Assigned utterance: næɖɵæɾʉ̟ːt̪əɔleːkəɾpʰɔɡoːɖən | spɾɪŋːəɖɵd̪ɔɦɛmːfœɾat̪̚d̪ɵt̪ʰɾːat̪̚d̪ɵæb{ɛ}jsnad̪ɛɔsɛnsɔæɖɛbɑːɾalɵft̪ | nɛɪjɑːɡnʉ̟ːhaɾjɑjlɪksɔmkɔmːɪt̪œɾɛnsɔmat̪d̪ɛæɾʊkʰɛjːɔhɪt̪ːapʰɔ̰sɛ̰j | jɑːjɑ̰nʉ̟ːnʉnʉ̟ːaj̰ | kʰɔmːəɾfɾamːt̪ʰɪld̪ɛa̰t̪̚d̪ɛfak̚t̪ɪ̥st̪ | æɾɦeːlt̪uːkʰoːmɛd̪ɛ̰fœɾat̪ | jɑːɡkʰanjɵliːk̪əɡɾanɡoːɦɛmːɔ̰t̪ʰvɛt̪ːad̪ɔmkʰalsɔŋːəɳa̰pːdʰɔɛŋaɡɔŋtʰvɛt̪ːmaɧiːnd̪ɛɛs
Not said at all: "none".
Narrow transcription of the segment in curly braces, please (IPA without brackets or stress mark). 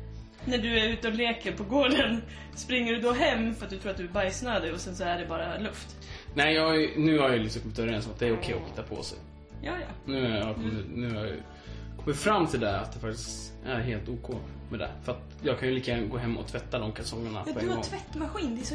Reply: a